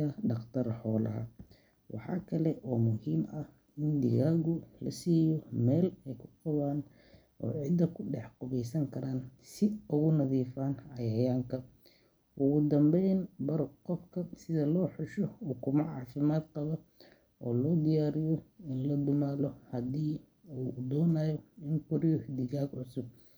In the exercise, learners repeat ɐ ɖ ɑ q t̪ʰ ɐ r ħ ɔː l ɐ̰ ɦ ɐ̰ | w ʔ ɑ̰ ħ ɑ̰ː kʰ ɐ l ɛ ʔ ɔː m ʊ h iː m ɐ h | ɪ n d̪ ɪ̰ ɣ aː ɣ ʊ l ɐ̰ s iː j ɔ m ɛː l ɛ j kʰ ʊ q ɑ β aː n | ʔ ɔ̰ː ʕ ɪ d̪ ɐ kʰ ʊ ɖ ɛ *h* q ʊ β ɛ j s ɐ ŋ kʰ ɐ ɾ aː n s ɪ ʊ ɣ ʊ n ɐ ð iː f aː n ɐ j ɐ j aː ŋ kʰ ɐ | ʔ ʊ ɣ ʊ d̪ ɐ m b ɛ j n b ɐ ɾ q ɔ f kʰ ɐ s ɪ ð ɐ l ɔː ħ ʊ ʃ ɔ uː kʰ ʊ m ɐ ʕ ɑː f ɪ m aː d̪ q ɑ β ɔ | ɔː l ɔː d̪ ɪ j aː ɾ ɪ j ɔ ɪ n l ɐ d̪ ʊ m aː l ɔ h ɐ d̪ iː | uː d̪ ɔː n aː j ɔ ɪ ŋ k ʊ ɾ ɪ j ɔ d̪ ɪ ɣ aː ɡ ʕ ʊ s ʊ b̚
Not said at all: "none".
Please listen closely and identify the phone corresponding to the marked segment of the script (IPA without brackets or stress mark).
ħ